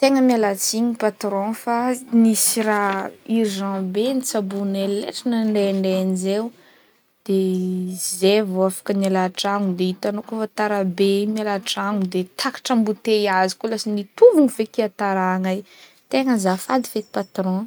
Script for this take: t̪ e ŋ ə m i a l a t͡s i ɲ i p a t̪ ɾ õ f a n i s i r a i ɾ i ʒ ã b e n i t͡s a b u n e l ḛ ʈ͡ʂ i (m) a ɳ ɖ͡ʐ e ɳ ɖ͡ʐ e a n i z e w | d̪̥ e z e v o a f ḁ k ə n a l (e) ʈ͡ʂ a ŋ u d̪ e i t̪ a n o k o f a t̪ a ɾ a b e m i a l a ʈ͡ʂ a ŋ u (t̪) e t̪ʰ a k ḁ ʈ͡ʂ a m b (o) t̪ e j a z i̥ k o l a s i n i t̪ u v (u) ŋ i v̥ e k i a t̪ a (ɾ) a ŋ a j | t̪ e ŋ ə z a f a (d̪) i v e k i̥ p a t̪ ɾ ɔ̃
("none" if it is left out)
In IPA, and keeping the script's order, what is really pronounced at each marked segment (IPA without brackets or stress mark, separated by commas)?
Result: n, a, d̪, u, u, ɾ, d̪